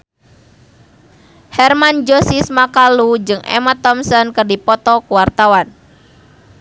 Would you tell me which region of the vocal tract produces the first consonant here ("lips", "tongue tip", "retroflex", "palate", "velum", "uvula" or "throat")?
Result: throat